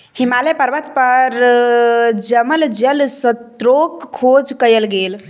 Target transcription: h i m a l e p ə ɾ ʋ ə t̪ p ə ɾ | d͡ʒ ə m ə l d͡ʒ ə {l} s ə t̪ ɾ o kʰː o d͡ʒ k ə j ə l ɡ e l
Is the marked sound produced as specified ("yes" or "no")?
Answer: yes